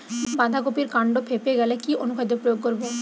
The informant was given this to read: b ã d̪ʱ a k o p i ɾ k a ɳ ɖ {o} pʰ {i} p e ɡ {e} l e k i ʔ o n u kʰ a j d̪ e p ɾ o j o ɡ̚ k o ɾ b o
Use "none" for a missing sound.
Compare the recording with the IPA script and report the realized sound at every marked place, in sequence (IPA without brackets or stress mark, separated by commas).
o, e, ɛ